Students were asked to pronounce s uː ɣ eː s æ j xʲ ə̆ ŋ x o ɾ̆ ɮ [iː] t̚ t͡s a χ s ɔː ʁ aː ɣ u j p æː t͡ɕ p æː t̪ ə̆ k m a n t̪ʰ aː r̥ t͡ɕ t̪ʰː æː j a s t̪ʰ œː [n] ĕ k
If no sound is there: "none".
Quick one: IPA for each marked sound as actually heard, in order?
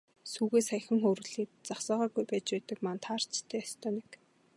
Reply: iː, n

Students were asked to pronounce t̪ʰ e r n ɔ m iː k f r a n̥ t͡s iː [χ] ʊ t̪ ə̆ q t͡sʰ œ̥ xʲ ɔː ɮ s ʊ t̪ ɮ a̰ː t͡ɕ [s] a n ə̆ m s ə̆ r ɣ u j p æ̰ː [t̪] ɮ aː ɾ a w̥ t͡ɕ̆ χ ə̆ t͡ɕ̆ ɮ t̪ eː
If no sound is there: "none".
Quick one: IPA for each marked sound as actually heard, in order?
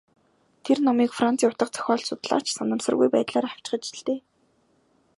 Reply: none, s, t̪

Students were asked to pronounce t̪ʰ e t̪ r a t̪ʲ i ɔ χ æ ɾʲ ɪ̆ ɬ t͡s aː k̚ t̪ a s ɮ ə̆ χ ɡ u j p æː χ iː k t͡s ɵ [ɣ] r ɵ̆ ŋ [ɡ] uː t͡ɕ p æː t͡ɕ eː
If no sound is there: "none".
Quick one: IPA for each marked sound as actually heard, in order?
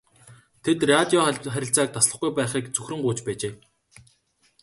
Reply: x, ɢ

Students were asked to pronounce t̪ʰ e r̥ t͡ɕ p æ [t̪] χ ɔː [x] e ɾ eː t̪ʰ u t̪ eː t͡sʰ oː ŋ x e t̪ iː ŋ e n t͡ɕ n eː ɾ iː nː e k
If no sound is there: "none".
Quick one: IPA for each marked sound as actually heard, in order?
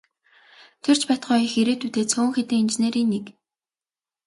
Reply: t̪, x

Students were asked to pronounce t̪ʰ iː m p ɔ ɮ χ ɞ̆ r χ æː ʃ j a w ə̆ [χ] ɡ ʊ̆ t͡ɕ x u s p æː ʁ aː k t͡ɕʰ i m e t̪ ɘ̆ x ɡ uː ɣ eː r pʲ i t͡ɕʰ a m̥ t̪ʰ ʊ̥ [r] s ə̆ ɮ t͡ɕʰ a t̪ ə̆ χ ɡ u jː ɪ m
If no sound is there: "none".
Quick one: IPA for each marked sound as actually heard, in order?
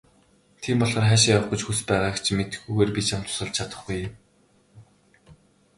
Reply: χ, none

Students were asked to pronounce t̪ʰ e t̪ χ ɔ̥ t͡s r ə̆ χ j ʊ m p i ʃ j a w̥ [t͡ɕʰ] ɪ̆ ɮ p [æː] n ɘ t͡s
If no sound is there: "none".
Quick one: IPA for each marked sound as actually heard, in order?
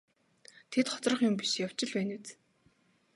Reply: t͡ɕ, æː

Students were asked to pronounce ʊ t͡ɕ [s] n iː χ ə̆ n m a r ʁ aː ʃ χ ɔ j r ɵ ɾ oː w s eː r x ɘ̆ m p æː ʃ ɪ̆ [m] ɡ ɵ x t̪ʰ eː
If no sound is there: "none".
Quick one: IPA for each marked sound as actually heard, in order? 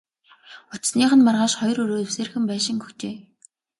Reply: s, ŋ

